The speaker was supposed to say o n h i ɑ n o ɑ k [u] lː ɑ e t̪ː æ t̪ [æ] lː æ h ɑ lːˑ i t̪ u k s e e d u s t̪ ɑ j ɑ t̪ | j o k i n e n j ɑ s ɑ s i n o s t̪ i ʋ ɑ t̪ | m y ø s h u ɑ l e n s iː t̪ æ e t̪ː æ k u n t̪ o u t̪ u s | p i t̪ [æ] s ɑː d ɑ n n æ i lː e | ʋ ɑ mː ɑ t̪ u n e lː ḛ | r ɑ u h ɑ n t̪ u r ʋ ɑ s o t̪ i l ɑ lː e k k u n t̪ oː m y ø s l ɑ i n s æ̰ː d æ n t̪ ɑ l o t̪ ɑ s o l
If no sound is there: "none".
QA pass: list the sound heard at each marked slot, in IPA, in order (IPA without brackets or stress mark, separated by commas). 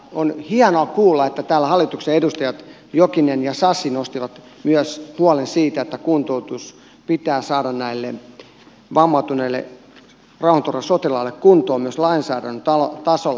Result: uː, æː, æː